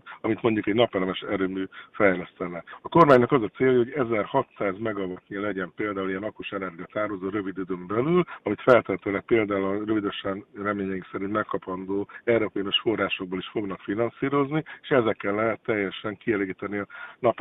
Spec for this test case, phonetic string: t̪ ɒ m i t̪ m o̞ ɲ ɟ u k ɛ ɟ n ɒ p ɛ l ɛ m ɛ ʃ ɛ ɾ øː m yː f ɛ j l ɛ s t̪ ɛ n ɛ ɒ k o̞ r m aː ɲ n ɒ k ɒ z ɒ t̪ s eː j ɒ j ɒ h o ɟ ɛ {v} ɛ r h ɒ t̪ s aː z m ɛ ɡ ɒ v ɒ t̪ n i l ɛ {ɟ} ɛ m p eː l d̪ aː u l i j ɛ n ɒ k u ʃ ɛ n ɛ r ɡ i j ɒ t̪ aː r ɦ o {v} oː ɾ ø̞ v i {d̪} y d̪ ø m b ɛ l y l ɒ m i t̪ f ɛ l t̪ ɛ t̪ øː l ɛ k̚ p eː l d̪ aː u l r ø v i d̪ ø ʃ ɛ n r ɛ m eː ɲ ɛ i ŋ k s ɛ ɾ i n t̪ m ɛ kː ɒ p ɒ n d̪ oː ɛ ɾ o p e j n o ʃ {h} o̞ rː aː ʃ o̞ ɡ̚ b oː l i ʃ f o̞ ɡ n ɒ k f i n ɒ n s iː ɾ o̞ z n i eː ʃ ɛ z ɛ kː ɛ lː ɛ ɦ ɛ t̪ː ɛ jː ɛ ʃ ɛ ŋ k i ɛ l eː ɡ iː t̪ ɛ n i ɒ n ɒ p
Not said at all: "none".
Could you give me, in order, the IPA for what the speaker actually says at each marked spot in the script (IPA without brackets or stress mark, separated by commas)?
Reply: z, ɟ, z, d̪, f